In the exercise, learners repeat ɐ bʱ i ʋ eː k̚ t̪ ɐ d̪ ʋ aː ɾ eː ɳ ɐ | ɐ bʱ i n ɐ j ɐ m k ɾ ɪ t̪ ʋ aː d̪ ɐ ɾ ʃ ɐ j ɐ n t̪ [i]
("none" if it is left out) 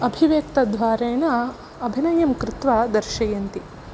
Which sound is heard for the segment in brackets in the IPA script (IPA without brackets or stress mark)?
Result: i